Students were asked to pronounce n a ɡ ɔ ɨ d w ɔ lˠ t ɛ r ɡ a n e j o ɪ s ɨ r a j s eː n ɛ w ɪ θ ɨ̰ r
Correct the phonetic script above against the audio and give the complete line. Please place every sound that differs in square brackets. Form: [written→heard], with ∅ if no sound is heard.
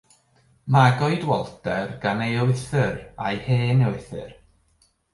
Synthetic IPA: [n→m] a ɡ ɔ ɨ d w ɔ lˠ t ɛ r ɡ a n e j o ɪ [s→θ] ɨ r a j [s→h] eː n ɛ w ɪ θ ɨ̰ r